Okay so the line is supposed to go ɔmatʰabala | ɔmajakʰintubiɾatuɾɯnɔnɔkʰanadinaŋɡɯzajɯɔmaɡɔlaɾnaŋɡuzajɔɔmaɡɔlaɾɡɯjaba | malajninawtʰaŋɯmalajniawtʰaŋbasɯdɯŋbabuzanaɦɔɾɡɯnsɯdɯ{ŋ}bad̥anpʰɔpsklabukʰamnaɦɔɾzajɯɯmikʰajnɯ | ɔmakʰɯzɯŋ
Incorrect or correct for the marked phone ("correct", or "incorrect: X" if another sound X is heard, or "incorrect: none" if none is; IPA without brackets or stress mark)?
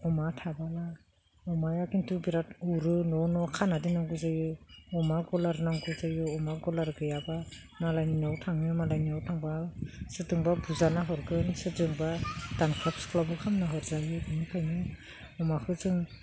correct